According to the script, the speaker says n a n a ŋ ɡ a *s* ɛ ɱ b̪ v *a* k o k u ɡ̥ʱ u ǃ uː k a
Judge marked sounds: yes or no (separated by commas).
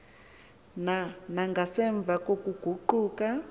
yes, yes